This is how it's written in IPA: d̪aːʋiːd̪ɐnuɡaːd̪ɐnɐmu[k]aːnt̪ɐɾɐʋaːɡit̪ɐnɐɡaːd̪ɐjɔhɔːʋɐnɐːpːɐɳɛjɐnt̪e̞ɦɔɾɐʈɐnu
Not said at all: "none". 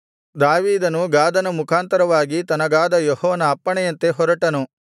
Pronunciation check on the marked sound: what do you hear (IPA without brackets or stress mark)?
kʰ